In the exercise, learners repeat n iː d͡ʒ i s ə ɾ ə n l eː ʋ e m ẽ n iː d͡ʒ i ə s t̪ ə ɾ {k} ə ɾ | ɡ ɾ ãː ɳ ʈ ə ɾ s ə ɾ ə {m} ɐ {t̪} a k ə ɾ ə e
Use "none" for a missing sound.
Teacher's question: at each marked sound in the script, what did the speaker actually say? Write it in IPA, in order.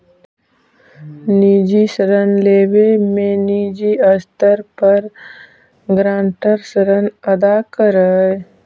p, n, d̪

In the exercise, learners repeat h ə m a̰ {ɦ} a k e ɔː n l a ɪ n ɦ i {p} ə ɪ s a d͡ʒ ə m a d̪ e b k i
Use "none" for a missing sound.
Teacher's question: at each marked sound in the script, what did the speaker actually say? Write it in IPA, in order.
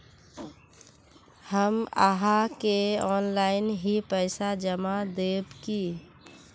ɦ, p

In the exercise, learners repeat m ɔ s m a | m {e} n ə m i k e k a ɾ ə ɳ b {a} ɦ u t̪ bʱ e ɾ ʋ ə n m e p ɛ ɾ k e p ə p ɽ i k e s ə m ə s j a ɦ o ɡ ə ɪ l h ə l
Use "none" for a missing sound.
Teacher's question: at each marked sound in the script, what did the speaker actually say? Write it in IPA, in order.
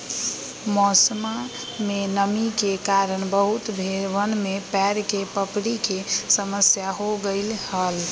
e, ə

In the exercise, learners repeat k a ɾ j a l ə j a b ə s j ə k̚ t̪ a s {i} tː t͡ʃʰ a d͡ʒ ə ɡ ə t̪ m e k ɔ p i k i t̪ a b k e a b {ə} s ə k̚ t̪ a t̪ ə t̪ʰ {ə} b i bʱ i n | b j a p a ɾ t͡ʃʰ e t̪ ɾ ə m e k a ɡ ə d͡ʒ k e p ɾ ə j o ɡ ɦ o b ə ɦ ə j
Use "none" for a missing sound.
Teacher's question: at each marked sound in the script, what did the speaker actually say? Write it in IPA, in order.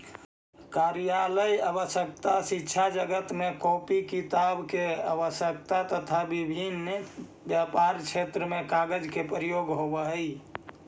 i, ə, a

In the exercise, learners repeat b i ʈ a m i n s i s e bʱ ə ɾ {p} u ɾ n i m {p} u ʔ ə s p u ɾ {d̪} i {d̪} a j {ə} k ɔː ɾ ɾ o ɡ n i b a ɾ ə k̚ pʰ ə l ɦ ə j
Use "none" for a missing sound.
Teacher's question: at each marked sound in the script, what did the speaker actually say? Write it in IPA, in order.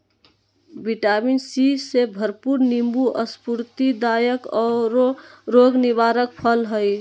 p, b, t̪, d̪, ə

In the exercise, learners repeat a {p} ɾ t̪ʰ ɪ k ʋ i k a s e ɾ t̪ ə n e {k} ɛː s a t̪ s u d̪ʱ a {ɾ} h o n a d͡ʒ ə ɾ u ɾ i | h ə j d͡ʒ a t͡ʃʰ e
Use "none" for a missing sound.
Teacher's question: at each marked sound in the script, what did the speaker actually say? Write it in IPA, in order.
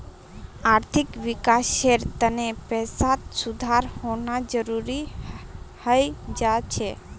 none, p, ɾ

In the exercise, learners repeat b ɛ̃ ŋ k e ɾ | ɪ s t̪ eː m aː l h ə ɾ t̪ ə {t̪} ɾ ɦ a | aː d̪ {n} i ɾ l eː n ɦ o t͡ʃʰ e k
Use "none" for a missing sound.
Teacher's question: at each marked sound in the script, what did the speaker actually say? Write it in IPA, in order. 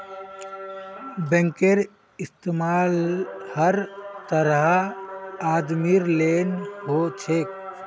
none, m

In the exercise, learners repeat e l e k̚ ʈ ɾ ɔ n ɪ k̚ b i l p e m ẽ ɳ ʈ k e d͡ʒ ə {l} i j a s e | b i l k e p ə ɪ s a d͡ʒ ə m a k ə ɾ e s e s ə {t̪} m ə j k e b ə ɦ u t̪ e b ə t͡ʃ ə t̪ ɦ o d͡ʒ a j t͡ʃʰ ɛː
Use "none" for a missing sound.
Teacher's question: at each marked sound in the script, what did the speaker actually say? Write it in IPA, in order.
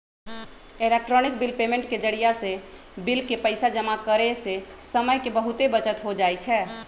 ɽ, none

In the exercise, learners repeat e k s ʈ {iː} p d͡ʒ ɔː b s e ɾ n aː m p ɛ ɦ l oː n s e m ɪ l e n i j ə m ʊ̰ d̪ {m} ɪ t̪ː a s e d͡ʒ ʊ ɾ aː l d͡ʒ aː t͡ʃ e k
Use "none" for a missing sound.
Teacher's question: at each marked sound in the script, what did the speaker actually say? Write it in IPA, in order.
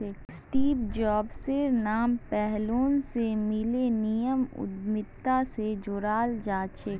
iː, m

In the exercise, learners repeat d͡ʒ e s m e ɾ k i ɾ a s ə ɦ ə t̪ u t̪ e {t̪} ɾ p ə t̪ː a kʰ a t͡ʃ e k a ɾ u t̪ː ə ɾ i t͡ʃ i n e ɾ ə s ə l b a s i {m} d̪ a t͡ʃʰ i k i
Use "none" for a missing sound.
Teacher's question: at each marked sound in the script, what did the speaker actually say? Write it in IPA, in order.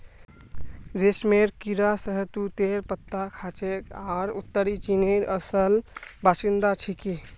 none, n

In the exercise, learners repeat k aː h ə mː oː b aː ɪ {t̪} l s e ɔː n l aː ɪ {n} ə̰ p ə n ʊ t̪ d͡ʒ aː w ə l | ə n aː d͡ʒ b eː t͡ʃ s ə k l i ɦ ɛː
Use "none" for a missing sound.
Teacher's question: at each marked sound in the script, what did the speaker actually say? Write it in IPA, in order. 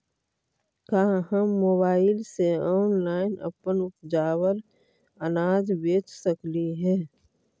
none, n

